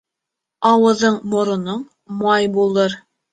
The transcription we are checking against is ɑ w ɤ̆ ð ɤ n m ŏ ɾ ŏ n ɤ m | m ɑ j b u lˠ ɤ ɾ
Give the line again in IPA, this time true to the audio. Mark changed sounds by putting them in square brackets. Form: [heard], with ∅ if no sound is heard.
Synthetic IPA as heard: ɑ w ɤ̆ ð ɤ [ɴ] m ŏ ɾ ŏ n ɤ [ɴ] | m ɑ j b u lˠ ɤ ɾ